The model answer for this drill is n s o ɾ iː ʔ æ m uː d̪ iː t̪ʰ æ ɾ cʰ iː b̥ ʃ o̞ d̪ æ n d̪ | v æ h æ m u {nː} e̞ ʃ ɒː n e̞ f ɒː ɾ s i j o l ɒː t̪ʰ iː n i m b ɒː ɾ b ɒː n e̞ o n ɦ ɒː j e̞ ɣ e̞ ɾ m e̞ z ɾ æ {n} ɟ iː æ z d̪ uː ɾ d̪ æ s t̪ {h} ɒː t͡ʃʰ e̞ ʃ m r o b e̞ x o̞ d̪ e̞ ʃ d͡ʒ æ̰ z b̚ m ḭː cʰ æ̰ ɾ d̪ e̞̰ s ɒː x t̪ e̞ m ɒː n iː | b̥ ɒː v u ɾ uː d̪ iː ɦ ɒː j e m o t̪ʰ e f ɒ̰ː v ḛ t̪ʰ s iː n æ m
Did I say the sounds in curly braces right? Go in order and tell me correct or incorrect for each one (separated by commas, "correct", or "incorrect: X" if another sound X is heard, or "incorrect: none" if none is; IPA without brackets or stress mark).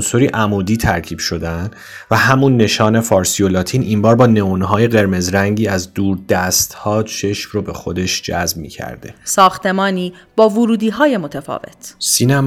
correct, incorrect: ŋ, correct